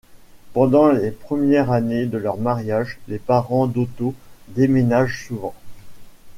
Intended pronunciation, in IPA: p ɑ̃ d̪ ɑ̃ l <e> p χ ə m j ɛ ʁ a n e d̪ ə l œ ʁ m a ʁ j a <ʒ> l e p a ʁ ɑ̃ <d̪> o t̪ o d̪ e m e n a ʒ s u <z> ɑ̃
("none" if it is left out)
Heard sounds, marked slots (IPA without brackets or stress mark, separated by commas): e, ʒ, d̪, v